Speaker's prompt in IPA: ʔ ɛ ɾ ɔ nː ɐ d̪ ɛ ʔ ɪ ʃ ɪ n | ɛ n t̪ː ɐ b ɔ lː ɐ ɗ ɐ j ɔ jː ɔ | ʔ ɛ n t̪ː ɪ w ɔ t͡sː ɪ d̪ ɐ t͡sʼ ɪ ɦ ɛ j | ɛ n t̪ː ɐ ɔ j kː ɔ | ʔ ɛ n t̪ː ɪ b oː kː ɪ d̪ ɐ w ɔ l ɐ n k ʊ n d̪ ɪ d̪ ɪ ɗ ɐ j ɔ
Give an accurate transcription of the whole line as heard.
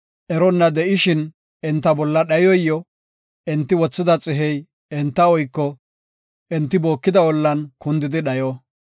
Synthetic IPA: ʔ ɛ ɾ ɔ nː ɐ d̪ ɛ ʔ ɪ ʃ ɪ n | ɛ n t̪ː ɐ b ɔ lː ɐ ɗ ɐ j ɔ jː ɔ | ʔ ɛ n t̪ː ɪ w ɔ t͡sː ɪ d̪ ɐ t͡sʼ ɪ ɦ ɛ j | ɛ n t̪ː ɐ ɔ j kː ɔ | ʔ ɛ n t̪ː ɪ b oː kː ɪ d̪ ɐ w ɔ lː ɐ n k ʊ n d̪ ɪ d̪ ɪ ɗ ɐ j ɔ